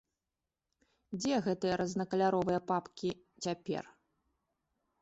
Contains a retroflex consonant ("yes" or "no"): no